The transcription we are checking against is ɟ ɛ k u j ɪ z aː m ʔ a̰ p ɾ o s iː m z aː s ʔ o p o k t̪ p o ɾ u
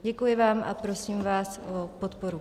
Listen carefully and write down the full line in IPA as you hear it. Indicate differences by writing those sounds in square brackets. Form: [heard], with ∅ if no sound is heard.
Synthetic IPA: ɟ ɛ k u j ɪ [v] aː m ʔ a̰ p ɾ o s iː m [v] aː s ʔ o p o [∅] t̪ p o ɾ u